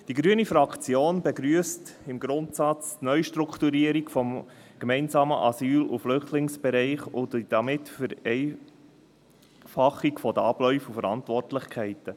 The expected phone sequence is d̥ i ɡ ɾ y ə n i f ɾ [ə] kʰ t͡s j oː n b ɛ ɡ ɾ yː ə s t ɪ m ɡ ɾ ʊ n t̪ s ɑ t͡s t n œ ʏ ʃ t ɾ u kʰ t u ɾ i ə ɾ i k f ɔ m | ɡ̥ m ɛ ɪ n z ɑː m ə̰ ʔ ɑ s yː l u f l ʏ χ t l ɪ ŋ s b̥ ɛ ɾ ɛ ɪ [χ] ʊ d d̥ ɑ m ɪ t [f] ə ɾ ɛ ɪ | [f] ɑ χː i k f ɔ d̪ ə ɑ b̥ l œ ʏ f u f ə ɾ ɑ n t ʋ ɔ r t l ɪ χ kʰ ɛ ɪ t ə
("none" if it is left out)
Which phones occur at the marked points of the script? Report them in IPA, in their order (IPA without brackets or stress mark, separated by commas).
ɑ, χ, f, f